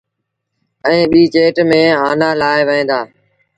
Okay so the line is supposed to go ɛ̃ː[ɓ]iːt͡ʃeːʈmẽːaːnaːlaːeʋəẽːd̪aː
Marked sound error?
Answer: no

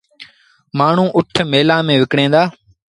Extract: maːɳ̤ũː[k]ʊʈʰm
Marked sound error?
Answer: yes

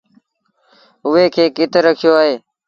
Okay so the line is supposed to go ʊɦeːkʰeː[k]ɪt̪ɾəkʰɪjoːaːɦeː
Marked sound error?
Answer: no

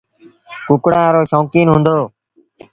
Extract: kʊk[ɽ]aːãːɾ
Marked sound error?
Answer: no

